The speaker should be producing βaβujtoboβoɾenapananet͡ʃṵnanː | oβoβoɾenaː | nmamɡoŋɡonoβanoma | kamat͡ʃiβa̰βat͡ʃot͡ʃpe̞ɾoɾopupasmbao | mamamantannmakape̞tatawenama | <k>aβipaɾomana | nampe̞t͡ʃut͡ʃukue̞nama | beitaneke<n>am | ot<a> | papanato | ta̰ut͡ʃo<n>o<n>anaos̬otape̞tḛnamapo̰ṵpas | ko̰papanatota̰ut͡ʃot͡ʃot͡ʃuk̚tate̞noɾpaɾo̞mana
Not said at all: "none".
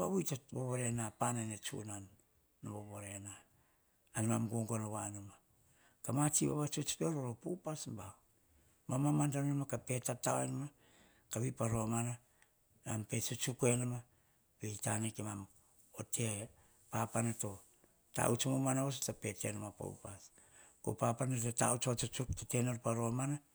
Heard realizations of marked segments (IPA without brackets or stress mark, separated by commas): k, m, e, m, m